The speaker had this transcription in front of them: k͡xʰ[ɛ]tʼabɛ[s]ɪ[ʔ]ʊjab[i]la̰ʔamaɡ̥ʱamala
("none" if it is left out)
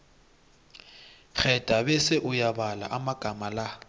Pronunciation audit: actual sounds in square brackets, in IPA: ɛ, s, ʔ, a

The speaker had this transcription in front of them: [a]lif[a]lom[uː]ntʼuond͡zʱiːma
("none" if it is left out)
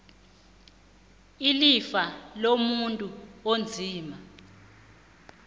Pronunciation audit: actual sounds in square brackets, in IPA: i, a, u

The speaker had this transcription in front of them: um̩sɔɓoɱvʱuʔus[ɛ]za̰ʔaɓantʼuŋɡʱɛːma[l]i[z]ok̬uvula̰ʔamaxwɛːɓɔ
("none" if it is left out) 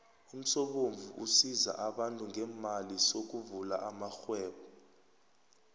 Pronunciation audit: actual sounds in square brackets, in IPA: i, l, s

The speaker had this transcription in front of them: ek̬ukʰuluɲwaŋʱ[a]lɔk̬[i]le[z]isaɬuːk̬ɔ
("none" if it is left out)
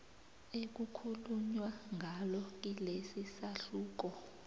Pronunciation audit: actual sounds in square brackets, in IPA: a, i, s

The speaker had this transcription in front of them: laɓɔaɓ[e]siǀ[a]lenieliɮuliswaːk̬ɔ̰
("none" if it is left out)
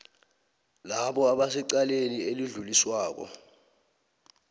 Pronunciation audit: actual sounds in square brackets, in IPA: a, a

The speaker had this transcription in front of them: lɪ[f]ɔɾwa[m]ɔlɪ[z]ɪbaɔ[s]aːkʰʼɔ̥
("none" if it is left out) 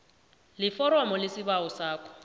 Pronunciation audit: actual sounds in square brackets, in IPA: f, m, s, s

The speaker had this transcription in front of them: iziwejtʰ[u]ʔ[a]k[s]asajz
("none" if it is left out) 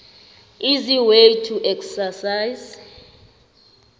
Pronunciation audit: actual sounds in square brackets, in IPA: u, ɛ, s

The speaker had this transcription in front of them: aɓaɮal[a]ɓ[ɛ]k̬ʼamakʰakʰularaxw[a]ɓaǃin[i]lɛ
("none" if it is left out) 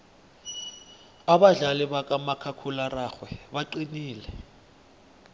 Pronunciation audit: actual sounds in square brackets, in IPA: i, a, ɛ, iː

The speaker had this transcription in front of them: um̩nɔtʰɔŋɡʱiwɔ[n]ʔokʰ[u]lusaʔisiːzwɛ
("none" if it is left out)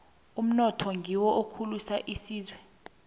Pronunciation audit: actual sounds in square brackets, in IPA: none, u

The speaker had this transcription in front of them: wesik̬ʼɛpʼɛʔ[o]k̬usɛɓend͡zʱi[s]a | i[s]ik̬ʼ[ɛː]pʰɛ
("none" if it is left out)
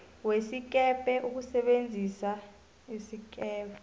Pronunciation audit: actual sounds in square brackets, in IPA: u, s, s, ɛː

